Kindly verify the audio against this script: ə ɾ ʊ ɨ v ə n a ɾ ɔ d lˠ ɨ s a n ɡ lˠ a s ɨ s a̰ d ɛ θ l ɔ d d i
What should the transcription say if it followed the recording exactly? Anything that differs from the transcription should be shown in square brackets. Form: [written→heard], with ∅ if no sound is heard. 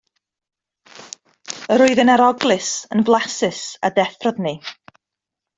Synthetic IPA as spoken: ə ɾ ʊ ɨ [v→ð] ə n a ɾ ɔ [d→ɡ] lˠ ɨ s [a→ə] n [ɡ→b] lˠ a s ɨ s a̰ d ɛ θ [l→r] ɔ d [d→n] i